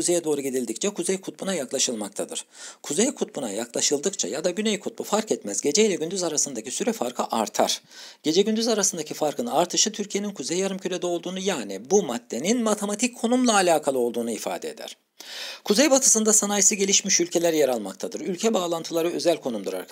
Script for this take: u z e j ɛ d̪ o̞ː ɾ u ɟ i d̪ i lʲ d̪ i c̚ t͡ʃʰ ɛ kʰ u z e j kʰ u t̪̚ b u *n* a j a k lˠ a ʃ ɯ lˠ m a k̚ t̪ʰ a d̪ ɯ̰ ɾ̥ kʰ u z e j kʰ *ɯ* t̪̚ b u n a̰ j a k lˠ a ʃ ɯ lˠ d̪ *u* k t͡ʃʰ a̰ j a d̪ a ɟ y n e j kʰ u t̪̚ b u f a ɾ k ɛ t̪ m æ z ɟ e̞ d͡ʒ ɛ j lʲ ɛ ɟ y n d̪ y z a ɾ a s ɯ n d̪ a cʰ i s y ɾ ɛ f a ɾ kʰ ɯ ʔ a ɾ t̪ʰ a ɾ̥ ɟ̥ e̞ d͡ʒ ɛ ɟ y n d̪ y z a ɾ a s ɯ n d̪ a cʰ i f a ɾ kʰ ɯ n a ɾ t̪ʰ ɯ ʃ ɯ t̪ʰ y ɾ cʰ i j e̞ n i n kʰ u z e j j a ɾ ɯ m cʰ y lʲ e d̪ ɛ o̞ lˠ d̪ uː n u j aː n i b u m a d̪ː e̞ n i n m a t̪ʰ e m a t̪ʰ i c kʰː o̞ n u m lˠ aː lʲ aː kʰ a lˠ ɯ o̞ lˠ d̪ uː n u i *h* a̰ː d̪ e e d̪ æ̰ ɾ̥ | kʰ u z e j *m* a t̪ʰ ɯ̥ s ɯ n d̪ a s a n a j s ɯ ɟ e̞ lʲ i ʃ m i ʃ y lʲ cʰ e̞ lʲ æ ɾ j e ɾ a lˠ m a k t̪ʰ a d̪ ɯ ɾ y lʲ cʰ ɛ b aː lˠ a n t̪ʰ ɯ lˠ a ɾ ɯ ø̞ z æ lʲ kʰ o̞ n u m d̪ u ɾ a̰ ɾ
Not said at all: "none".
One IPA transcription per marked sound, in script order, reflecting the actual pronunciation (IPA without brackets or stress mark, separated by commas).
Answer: n, u, ɯ, f, b